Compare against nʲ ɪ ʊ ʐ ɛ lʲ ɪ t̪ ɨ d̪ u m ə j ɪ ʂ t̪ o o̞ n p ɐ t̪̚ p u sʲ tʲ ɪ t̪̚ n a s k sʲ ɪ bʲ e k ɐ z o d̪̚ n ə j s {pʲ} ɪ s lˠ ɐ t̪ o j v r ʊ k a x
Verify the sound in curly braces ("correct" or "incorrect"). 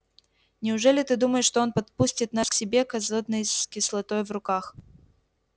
incorrect